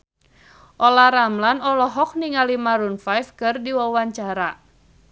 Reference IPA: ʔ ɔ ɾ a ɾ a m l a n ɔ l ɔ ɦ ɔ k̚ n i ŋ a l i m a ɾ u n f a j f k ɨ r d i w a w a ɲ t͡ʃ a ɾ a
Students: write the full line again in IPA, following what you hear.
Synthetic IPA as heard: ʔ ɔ l a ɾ a m l a n ɔ l ɔ ɦ ɔ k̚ n i ŋ a l i m a ɾ u n f a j f k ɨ r d i w a w a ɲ t͡ʃ a ɾ a